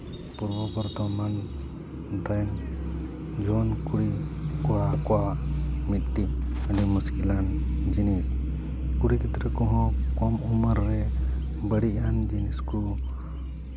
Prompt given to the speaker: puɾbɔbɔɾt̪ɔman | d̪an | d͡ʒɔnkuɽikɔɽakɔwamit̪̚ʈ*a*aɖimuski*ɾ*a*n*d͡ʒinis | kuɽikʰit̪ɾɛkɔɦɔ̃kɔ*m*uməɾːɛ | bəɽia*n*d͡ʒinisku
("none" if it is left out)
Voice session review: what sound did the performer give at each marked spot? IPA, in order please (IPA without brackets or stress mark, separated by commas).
i, l, n, m, n